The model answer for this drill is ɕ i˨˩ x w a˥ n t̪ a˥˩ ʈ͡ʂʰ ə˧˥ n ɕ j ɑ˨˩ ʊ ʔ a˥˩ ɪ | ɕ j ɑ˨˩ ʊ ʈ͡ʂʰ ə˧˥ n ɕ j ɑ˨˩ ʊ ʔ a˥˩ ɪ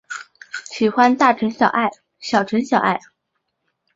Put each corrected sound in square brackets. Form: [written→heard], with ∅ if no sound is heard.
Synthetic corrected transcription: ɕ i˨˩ x w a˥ n t̪ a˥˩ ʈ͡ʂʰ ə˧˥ n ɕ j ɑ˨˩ ʊ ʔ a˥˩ ɪ | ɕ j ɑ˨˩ ʊ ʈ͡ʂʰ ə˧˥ n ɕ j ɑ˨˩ ʊ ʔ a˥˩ ɪ